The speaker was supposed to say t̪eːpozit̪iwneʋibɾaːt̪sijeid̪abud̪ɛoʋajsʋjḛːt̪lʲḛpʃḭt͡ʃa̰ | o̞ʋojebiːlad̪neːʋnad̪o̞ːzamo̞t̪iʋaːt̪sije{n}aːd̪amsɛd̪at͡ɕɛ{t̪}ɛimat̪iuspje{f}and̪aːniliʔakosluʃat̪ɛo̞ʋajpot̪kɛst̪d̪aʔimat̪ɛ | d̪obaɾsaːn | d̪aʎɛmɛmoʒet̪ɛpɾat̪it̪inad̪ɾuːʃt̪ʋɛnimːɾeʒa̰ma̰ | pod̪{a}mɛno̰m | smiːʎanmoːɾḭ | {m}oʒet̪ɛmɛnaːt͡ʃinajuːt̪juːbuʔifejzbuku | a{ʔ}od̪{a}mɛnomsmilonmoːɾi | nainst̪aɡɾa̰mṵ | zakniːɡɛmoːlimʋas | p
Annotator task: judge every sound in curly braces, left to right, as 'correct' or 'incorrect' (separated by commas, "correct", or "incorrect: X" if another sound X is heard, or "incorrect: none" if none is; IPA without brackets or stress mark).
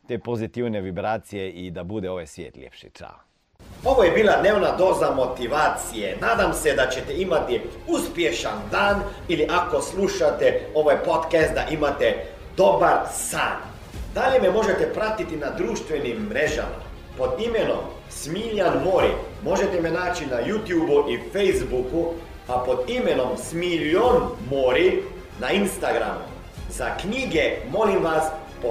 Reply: correct, correct, incorrect: ʃ, incorrect: i, correct, incorrect: p, incorrect: i